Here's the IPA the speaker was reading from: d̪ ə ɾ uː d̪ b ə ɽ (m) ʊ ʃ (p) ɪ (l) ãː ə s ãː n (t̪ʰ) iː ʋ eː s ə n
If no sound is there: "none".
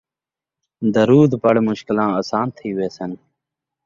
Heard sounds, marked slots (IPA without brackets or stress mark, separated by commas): m, k, l, t̪ʰ